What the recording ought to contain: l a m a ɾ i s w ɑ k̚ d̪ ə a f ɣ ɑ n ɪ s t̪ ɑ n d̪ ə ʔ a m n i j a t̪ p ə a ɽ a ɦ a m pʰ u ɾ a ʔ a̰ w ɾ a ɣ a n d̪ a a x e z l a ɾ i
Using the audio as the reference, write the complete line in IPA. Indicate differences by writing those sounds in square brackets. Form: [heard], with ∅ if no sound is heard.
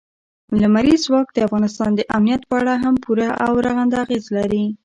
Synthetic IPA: l a m a ɾ i [z] w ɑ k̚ d̪ ə a f ɣ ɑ n ɪ s t̪ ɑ n d̪ ə ʔ a m n i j a t̪ p ə a ɽ a ɦ a m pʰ u ɾ a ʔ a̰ w ɾ a ɣ a n d̪ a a [ɣ] e z l a ɾ i